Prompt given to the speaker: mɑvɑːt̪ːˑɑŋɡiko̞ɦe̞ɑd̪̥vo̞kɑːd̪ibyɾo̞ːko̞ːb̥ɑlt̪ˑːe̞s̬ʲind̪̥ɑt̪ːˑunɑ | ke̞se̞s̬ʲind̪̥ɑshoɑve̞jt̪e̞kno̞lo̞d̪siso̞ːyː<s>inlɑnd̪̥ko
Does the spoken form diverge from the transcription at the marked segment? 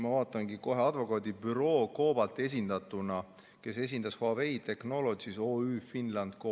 yes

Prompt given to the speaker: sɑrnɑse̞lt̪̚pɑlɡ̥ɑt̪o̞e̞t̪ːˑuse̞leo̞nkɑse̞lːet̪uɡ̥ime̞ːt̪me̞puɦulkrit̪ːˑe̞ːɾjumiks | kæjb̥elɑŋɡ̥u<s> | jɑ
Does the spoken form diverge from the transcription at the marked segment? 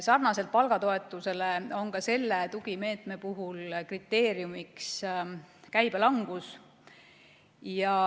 no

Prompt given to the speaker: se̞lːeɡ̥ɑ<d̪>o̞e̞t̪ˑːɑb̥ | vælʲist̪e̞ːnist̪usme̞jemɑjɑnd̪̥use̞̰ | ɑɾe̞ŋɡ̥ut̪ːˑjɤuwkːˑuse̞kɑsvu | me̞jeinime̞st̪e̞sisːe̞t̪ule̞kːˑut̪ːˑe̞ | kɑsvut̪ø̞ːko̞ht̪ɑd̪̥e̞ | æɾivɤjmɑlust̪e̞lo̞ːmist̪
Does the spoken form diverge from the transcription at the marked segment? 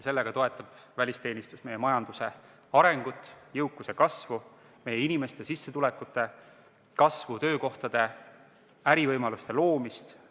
yes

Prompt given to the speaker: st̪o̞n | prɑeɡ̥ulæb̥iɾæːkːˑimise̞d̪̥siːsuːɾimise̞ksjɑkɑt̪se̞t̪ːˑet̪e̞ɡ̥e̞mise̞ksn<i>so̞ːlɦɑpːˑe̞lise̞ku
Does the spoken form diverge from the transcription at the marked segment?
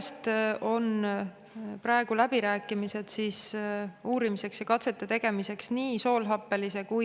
yes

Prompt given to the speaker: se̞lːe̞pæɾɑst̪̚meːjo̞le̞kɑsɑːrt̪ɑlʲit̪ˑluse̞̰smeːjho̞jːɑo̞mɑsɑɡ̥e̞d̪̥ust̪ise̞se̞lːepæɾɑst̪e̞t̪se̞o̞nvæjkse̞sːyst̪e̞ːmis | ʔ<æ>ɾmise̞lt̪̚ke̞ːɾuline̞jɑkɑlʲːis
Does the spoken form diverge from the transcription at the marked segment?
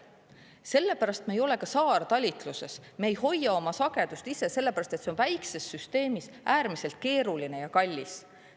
yes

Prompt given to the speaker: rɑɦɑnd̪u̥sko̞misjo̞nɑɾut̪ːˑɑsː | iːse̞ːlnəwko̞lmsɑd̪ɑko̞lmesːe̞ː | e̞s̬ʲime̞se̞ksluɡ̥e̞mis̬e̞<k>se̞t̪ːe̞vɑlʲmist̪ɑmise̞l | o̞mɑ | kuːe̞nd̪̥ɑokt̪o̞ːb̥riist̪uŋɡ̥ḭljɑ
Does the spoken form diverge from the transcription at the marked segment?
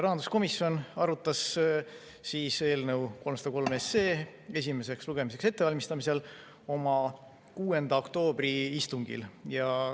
no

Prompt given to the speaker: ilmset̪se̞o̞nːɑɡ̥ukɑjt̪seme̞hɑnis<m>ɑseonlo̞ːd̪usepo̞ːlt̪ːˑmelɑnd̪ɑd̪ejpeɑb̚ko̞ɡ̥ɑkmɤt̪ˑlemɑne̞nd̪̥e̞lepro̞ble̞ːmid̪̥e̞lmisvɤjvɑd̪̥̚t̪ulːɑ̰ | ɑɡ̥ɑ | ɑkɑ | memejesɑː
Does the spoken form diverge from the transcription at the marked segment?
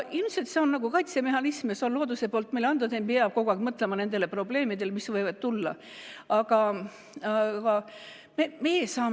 no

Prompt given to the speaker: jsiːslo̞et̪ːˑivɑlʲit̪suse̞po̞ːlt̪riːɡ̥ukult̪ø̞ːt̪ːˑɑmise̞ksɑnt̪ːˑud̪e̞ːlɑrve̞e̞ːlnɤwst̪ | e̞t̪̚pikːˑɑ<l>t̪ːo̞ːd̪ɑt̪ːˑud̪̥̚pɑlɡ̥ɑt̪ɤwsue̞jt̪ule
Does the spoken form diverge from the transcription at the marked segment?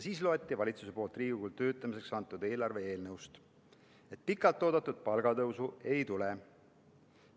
no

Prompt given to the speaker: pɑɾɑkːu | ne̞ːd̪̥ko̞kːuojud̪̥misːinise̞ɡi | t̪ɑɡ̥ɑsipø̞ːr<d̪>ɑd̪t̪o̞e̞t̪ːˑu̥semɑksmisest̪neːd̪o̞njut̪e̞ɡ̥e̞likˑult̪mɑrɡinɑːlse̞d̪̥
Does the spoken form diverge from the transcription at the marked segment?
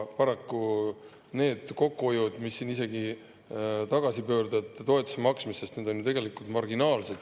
no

